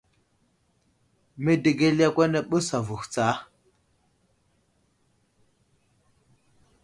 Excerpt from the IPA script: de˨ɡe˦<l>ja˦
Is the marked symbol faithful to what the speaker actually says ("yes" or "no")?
yes